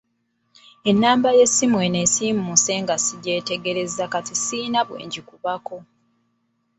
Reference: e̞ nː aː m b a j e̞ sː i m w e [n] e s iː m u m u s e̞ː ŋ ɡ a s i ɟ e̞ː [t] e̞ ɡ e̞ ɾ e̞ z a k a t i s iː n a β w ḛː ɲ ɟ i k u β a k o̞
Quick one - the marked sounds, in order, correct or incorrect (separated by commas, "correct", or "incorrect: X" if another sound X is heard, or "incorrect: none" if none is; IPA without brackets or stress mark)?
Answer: correct, correct